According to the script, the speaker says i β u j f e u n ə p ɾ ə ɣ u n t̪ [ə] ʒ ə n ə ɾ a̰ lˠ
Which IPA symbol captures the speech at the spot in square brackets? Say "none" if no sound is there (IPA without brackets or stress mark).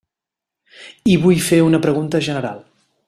ə